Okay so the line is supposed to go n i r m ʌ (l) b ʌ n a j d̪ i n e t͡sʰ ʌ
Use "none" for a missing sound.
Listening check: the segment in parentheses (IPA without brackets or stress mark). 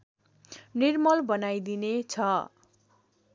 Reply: l